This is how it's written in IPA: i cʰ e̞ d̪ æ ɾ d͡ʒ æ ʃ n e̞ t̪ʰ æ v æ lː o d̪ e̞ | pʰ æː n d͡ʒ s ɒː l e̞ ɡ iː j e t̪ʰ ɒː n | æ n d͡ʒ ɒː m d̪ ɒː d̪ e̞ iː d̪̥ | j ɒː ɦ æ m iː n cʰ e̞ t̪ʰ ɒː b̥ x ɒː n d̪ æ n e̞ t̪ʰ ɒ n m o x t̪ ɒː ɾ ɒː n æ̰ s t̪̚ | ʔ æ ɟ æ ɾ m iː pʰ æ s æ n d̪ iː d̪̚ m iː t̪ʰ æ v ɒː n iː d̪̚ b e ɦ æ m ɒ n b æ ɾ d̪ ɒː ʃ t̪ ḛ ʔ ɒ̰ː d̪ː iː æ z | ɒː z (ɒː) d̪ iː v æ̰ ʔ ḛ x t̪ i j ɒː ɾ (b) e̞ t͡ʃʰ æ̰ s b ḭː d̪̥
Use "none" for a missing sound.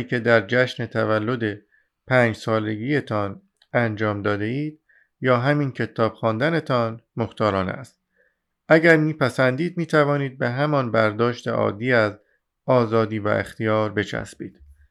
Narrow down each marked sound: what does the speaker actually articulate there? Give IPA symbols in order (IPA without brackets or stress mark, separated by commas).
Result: ɒː, b